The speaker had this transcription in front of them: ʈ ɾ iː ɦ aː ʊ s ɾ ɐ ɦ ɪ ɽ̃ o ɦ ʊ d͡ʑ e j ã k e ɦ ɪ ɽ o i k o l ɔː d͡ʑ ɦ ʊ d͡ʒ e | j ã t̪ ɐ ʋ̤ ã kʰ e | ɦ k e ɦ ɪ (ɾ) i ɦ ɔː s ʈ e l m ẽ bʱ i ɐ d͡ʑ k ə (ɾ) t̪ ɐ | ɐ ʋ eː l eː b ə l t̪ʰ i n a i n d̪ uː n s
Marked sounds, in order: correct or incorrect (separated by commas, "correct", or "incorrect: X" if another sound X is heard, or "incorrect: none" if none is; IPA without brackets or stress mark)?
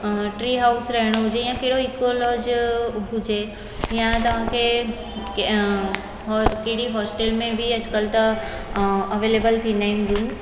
incorrect: ɽ, incorrect: l